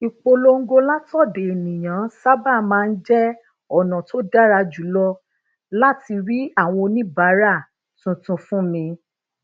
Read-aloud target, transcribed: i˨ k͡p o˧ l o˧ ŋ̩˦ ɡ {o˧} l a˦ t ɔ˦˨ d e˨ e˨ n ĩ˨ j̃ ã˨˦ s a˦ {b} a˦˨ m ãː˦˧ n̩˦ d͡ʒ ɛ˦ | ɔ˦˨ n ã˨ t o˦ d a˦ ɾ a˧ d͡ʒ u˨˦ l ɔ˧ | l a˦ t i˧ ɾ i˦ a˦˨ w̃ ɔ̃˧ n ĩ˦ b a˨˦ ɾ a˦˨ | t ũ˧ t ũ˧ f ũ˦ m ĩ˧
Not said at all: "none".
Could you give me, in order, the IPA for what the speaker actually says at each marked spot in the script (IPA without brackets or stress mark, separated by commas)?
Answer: o˧, b